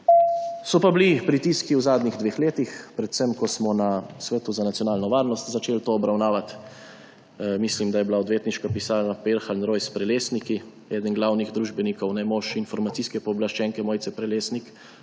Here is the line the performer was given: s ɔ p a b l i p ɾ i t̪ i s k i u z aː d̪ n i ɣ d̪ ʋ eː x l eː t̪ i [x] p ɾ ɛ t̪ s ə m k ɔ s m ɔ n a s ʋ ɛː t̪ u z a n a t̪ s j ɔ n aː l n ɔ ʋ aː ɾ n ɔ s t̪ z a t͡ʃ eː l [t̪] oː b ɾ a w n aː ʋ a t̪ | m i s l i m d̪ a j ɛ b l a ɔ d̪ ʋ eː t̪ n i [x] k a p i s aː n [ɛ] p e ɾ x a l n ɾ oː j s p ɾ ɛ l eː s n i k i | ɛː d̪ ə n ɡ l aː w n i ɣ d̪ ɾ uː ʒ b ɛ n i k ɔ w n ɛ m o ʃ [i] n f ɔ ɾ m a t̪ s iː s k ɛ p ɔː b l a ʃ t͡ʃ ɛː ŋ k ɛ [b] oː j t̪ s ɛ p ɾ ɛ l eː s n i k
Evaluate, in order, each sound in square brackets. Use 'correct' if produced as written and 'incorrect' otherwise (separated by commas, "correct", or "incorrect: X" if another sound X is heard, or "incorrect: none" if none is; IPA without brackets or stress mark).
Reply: correct, correct, incorrect: ʃ, incorrect: a, correct, incorrect: m